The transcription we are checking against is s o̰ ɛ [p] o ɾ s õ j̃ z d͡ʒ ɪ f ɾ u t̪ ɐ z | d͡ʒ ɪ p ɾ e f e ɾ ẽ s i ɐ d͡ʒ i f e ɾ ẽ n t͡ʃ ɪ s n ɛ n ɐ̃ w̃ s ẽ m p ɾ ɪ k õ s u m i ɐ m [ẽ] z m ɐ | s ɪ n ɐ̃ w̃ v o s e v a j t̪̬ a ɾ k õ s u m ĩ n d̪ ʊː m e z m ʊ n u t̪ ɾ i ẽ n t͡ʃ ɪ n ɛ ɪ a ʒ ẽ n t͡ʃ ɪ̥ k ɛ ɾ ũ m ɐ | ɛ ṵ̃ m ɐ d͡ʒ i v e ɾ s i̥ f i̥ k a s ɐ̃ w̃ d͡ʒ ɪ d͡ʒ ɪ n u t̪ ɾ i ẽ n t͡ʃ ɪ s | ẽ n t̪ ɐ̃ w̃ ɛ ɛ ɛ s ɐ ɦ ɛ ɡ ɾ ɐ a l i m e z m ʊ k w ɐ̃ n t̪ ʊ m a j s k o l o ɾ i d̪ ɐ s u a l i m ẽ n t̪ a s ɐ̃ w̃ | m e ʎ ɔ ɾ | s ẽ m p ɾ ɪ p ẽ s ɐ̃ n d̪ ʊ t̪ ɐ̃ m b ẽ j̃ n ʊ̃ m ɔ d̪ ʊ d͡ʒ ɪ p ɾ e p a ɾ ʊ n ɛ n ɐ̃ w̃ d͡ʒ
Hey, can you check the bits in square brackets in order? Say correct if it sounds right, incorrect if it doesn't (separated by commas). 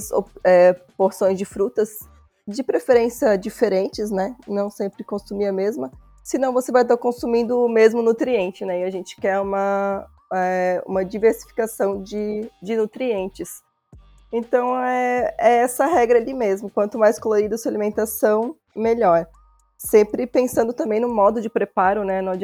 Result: correct, incorrect